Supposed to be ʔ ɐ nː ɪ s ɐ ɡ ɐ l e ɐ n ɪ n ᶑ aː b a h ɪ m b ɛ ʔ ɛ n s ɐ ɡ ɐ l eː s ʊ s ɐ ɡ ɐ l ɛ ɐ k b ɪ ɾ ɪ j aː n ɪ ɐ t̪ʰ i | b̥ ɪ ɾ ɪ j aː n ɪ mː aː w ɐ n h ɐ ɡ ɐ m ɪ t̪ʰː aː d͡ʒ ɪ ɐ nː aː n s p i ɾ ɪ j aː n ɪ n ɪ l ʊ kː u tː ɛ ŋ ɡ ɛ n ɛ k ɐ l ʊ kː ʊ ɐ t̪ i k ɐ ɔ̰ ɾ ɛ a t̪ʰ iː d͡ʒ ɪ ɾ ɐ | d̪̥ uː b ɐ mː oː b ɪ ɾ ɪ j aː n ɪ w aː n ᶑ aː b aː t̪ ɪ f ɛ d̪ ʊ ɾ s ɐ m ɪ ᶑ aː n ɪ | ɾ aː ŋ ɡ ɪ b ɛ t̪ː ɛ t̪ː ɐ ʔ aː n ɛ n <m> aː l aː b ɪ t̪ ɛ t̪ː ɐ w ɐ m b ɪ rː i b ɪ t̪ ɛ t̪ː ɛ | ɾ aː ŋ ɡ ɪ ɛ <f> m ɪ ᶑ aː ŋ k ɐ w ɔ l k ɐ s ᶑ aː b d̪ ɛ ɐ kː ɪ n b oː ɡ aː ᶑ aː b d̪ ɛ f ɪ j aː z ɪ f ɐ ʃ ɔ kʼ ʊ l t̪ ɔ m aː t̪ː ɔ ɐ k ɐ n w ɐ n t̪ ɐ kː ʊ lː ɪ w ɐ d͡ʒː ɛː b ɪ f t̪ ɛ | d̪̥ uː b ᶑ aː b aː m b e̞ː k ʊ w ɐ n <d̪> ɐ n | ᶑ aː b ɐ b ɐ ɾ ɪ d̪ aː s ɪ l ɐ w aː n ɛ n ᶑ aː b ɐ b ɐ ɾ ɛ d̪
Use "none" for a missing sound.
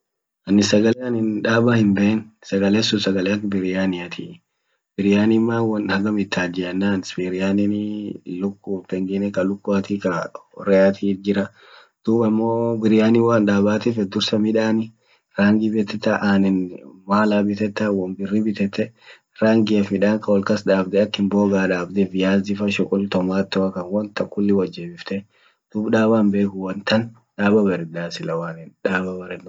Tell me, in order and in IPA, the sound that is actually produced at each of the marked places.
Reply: m, f, t̪

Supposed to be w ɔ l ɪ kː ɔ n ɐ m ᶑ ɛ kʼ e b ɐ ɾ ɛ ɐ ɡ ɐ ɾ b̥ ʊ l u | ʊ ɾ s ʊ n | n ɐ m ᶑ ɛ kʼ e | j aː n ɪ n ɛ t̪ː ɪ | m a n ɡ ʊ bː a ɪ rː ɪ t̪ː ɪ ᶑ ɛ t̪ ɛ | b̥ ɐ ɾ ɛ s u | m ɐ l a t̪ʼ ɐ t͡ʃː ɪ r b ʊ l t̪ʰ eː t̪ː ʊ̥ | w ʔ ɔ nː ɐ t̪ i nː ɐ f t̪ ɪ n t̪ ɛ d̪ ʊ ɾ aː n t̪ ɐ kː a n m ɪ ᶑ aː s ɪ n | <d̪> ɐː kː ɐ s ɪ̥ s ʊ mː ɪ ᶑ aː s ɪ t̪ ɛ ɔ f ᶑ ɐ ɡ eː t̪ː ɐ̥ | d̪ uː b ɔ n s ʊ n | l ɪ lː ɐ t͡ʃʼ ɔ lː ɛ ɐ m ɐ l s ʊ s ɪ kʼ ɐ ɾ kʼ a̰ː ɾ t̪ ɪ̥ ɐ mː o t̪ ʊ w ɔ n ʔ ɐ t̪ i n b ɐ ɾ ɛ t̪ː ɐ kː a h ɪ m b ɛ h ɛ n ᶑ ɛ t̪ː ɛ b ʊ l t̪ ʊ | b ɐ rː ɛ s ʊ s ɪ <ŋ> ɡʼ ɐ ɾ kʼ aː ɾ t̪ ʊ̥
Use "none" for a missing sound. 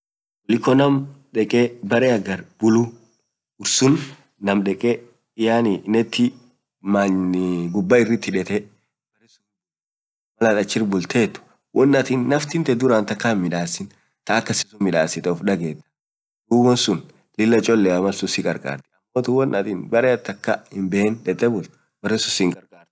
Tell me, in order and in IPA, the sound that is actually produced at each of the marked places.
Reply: t̪, ŋ

